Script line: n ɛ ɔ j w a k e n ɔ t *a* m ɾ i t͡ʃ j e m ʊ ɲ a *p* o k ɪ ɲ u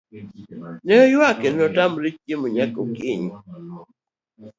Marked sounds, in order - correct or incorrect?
correct, incorrect: k

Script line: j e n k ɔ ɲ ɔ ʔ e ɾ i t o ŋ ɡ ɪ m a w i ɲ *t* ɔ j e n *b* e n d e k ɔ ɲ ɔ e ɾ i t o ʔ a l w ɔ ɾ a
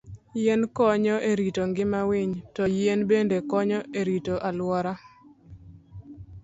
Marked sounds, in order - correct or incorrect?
correct, correct

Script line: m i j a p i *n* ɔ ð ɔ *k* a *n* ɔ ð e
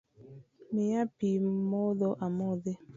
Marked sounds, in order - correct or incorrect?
incorrect: m, incorrect: ʔ, incorrect: m

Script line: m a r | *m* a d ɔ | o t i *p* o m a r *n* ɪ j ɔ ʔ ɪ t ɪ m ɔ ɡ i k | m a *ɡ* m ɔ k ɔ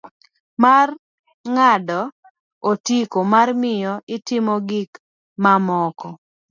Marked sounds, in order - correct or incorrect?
incorrect: ŋ, incorrect: k, incorrect: m, incorrect: none

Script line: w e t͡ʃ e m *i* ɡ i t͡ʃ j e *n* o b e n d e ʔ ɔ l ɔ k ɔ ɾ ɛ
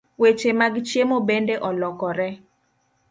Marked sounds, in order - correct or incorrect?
incorrect: a, incorrect: m

